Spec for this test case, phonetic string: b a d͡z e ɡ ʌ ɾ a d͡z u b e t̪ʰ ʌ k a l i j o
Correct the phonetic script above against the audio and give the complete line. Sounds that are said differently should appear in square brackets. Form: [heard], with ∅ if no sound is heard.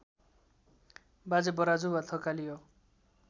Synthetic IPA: b a d͡z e [b] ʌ ɾ a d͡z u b [a] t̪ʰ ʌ k a l i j o